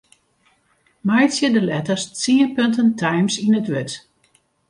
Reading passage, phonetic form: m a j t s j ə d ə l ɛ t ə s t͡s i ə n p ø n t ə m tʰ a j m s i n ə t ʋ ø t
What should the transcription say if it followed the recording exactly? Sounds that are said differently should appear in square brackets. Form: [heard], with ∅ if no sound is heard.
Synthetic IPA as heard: m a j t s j ə d ə l ɛ t ə s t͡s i ə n p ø n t ə [n] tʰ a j m s i n ə t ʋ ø t